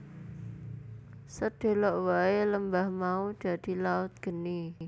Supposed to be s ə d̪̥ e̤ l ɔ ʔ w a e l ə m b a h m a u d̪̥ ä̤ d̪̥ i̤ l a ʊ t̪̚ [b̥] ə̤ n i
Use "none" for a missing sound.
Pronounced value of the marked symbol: ɡ̥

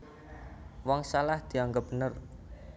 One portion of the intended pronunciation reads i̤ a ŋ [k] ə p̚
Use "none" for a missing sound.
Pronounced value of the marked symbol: ɡ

